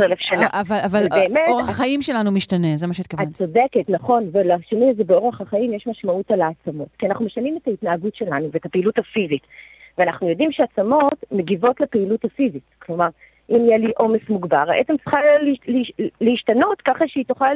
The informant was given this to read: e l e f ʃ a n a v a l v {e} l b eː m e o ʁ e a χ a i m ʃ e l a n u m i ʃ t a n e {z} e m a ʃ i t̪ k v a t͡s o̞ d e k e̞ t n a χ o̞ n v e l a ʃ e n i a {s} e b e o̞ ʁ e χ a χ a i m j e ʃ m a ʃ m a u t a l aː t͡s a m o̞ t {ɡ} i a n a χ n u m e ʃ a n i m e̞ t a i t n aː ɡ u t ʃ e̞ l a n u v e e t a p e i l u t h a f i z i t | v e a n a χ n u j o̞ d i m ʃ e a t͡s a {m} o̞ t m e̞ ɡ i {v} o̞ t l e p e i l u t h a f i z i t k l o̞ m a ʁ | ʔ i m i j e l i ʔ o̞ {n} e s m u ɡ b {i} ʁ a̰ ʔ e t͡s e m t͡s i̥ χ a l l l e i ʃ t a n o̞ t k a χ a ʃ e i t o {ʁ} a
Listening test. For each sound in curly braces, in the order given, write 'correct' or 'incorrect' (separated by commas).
incorrect, correct, incorrect, incorrect, correct, correct, incorrect, incorrect, incorrect